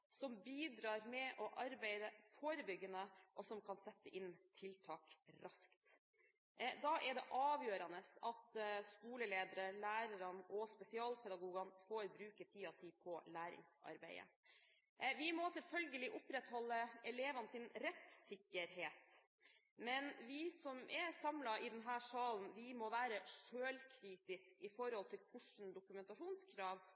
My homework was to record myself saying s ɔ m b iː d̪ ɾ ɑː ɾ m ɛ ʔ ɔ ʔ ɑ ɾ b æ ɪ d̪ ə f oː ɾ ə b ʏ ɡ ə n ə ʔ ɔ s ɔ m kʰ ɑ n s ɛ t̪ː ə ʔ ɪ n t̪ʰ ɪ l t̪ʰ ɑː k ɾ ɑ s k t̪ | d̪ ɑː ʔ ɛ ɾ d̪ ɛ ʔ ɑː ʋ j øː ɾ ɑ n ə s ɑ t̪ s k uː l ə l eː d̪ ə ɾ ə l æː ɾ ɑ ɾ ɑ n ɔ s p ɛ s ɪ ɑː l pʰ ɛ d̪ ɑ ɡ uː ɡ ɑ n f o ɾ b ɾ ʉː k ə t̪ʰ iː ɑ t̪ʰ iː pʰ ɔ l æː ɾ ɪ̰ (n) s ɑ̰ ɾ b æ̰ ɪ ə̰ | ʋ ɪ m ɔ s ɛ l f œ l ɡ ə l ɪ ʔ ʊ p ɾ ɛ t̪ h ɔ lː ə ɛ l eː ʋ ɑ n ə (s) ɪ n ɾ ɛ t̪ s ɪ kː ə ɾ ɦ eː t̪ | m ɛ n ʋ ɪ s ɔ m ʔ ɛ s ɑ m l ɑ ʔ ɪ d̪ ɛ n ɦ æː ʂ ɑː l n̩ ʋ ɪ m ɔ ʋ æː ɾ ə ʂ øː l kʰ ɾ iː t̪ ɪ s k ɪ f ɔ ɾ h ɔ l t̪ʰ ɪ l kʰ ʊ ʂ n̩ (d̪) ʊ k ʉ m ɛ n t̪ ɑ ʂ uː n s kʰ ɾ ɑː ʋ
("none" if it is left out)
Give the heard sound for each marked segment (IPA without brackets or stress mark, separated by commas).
ŋ, s, d̪